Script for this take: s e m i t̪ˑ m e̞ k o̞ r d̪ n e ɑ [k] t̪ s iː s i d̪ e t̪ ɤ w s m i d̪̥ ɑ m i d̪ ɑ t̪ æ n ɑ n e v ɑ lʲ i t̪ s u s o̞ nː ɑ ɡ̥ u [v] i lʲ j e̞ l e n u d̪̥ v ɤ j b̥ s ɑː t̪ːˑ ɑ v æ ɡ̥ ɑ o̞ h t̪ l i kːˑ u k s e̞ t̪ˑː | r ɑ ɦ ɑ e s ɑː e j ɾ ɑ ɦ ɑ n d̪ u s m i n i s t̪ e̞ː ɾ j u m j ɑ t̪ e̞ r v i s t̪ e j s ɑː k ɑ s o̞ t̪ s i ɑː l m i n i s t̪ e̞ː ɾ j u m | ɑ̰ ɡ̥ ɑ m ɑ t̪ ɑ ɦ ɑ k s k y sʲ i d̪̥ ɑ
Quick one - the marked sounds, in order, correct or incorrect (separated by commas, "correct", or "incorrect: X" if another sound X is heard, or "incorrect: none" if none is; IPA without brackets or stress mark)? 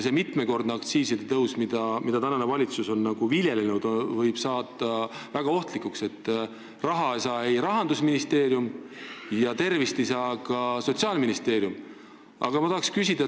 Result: correct, correct